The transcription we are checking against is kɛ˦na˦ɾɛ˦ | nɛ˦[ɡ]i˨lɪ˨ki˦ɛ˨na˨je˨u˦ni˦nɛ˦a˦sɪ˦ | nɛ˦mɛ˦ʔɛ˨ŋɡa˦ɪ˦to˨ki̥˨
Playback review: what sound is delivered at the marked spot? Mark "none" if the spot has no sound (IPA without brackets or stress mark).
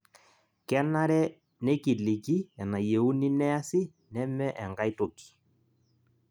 k